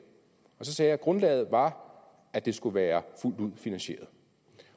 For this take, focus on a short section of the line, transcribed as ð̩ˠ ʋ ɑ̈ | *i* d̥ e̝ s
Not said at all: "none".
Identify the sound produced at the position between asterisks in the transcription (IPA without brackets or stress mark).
æ